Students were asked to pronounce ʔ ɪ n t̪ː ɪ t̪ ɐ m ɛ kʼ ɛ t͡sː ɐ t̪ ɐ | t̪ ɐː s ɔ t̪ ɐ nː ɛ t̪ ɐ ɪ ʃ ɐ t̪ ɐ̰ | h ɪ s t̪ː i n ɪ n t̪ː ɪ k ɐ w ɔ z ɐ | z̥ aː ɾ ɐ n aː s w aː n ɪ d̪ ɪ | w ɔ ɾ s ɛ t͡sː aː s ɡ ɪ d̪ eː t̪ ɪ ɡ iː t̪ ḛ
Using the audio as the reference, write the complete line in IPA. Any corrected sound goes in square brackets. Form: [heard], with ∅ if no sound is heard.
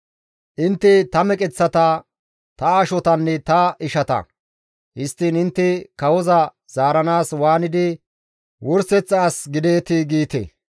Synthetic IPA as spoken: ʔ ɪ n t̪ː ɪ t̪ ɐ m ɛ kʼ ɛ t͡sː ɐ t̪ ɐ | t̪ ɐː [ʃ] ɔ t̪ ɐ nː ɛ t̪ ɐ ɪ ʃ ɐ t̪ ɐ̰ | h ɪ s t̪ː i n ɪ n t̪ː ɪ k ɐ w ɔ z ɐ | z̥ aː ɾ ɐ n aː s w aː n ɪ d̪ ɪ | w ɔ ɾ s ɛ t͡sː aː s ɡ ɪ d̪ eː t̪ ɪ ɡ iː t̪ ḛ